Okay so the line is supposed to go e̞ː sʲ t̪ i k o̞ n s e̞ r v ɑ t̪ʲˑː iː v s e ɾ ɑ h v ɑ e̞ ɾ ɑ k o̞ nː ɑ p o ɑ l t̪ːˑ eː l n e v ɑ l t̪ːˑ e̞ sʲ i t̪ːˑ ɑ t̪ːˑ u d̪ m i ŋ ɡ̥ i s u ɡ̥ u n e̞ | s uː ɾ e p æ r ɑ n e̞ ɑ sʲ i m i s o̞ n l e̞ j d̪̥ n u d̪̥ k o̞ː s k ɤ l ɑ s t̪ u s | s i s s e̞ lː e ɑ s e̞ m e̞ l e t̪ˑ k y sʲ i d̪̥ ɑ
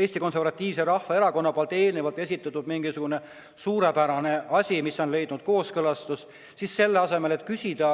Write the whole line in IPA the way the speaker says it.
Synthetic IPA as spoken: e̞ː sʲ t̪ i k o̞ n s e̞ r v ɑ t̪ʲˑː iː v s e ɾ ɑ h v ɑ e̞ ɾ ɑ k o̞ nː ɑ p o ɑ l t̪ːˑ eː l n e v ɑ l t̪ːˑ e̞ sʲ i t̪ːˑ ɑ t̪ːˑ u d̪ m i ŋ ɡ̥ i s u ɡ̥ u n e̞ | s uː ɾ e p æ ɾ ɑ n e̞ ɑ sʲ i m i s o̞ n l e̞ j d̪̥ n u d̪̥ k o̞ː s k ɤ l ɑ s t̪ u s | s i s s e̞ lː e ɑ s e̞ m e̞ l e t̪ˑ k y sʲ i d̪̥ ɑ